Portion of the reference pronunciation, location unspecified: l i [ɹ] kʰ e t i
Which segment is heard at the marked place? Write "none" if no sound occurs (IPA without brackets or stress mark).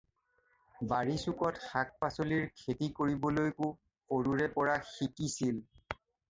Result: ɹ